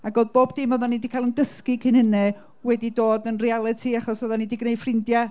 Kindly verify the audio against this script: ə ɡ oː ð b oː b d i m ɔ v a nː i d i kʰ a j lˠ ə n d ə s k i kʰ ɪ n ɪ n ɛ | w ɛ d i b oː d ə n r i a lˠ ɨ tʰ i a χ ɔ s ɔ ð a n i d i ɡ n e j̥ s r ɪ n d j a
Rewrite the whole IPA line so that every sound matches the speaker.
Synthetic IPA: a ɡ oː ð b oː b d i m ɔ ð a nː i d i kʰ a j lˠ ə n d ə s k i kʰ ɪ n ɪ n ɛ | w ɛ d i d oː d ə n r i a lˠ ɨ tʰ i a χ ɔ s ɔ ð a n i d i ɡ n e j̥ f r ɪ n d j a

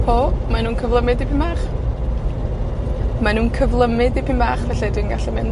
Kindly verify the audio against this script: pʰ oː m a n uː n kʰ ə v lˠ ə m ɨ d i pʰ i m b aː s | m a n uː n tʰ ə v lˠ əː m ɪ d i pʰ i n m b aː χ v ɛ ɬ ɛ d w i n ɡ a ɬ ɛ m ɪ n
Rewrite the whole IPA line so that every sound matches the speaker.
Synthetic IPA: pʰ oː m a n uː n kʰ ə v lˠ ə m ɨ d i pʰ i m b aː χ | m a n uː n kʰ ə v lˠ ə m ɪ d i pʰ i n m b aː χ v ɛ ɬ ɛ d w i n ɡ a ɬ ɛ m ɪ n

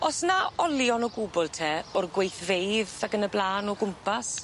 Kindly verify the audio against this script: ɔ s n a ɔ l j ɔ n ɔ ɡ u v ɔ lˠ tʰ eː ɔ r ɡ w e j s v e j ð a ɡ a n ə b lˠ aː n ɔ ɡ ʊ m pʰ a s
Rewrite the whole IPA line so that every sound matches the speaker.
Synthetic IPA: ɔ s n a ɔ l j ɔ n ɔ ɡ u b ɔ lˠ tʰ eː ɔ r ɡ w e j θ v e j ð a ɡ ə n ə b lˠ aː n ɔ ɡ ʊ m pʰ a s

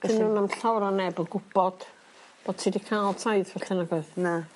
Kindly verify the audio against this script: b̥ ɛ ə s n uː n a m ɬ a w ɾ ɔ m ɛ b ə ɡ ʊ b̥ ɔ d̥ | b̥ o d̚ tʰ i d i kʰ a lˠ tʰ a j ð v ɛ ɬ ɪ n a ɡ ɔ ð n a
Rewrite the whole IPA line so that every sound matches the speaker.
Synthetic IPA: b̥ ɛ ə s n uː n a m ɬ a w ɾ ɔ n ɛ b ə ɡ ʊ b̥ ɔ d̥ | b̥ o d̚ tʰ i d i kʰ a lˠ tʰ a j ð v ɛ ɬ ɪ n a ɡ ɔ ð n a

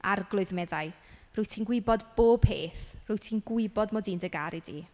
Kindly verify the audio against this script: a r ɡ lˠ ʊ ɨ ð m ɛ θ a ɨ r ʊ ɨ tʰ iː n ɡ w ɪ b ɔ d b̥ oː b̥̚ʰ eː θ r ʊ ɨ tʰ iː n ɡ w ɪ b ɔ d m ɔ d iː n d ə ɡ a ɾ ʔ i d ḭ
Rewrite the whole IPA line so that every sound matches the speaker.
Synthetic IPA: a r ɡ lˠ ʊ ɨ ð m ɛ ð a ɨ r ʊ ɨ tʰ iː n ɡ w ɪ b ɔ d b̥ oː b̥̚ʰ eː θ r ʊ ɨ tʰ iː n ɡ w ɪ b ɔ d m ɔ d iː n d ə ɡ a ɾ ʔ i d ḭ

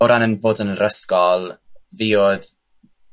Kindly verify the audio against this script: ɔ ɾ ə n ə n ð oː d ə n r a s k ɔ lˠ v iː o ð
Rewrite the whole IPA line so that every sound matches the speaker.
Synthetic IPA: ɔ ɾ a n ə n v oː d ə n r ə s k ɔ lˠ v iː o ð

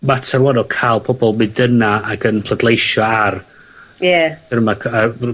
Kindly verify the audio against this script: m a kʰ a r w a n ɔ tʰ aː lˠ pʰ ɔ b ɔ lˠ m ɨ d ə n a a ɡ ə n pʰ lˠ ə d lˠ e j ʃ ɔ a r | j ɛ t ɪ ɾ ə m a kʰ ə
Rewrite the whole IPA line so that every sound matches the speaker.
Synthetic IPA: m a tʰ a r w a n ɔ kʰ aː lˠ pʰ ɔ b ɔ lˠ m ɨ d ə n a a ɡ ə n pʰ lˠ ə d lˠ e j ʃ ɔ a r | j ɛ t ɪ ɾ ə m a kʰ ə

